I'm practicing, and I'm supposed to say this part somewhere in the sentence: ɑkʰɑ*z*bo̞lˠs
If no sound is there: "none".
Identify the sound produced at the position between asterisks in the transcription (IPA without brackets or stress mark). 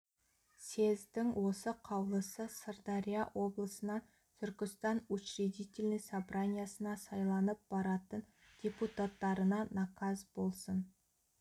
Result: z